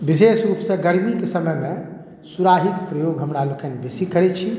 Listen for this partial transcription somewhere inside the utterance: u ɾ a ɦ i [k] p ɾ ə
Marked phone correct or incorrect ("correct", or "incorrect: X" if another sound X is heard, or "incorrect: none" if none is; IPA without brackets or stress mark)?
correct